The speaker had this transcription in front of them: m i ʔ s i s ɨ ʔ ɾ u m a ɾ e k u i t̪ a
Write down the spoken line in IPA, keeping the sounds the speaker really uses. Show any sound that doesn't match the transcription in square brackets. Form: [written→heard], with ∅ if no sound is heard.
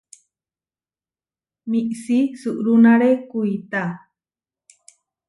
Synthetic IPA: m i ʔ s i s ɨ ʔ ɾ u [m→n] a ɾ e k u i t̪ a